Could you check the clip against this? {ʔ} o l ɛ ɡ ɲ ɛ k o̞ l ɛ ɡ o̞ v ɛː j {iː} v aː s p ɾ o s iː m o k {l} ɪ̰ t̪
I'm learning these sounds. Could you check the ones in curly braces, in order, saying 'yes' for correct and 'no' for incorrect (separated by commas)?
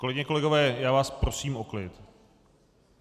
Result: no, no, yes